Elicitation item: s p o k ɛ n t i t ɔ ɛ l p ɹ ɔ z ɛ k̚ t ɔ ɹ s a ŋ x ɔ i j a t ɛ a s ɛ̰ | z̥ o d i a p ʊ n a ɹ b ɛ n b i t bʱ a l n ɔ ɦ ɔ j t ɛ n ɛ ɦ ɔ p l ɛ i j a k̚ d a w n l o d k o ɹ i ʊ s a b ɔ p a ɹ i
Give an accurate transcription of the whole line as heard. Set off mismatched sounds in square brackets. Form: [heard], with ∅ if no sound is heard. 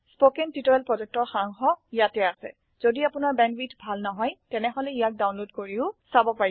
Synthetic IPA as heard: s p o k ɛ n t i t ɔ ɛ l p ɹ ɔ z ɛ k̚ t ɔ ɹ [x] a ŋ x ɔ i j a t ɛ a s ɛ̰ | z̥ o d i a p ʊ n a ɹ b ɛ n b i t bʱ a l n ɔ ɦ ɔ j t ɛ n ɛ ɦ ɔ [∅] l ɛ i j a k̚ d a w n l o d k o ɹ i ʊ s a b ɔ p a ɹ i